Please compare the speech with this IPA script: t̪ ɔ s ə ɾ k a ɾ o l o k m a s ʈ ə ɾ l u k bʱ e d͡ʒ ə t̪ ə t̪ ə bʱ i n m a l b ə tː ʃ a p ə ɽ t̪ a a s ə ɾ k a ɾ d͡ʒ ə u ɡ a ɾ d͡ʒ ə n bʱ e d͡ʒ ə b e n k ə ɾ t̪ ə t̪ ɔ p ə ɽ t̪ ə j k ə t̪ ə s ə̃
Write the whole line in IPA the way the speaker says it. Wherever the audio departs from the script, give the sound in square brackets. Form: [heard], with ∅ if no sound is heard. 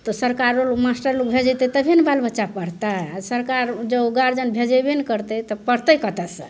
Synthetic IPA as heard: t̪ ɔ s ə ɾ k a ɾ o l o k m a s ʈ ə ɾ l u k bʱ e d͡ʒ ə t̪ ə t̪ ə bʱ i n [b] a l b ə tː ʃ a p ə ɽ t̪ a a s ə ɾ k a ɾ d͡ʒ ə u ɡ a ɾ d͡ʒ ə n bʱ e d͡ʒ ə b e n k ə ɾ t̪ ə t̪ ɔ p ə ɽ t̪ ə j k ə t̪ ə s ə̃